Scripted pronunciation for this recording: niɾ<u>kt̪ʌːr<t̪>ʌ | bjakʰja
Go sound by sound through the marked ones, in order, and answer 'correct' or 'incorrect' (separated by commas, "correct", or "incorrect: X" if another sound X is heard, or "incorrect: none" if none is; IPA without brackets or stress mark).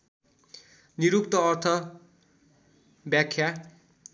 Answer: correct, incorrect: t̪ʰ